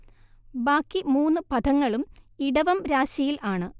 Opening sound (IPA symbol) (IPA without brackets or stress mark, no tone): b